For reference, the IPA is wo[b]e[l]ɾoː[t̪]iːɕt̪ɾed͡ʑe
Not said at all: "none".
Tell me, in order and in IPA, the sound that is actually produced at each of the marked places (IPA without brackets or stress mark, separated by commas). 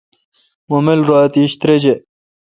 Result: m, l, t̪